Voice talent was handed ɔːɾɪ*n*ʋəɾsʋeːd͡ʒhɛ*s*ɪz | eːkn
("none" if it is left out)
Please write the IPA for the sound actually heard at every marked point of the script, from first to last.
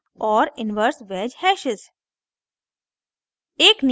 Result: n, ʃ

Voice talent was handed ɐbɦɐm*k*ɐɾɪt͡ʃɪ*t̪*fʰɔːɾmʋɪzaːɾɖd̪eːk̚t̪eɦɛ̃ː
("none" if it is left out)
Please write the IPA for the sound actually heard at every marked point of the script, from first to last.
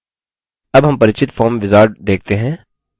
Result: p, t̪

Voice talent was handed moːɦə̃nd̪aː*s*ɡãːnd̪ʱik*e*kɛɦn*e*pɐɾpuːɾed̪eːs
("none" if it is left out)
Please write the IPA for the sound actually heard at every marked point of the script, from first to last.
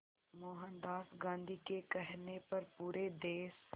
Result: s, e, e

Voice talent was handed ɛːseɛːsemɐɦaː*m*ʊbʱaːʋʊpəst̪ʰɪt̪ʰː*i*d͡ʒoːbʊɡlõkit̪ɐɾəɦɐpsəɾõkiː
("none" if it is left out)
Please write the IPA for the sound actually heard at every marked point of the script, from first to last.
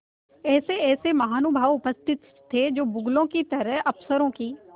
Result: n, e

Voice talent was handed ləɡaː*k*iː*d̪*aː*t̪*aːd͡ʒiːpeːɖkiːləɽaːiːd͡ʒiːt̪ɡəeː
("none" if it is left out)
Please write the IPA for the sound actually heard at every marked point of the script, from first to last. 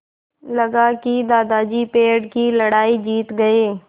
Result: k, d̪, d̪

